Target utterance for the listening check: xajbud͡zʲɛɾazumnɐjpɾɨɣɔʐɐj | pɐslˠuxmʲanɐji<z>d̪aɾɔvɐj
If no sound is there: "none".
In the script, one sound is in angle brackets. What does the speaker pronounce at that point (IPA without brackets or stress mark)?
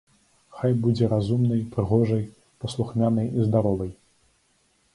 z